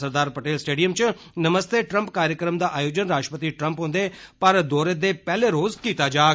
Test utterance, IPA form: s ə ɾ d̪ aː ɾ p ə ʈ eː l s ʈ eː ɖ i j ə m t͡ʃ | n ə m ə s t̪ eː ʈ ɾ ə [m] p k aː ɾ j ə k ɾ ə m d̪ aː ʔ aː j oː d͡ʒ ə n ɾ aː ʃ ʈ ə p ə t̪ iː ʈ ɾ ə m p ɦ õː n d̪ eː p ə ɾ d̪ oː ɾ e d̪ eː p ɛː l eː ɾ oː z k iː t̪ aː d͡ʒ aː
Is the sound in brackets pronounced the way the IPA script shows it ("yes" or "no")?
yes